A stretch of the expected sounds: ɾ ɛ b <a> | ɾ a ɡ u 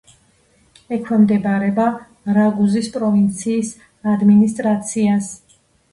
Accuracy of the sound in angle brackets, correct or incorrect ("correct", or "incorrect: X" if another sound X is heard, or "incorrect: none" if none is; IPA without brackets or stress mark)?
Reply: correct